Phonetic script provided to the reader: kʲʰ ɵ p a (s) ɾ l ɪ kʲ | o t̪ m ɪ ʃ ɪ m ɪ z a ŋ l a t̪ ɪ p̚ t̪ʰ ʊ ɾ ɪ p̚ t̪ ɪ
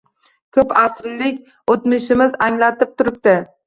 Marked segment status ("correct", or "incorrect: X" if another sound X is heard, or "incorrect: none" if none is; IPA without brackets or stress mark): correct